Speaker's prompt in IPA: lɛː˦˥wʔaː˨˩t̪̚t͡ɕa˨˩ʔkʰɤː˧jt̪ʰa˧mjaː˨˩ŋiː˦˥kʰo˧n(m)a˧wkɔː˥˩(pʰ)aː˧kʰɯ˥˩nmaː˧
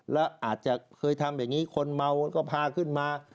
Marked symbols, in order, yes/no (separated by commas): yes, yes